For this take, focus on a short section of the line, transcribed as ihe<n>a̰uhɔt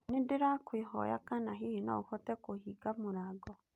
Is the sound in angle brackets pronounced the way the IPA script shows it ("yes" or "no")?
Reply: yes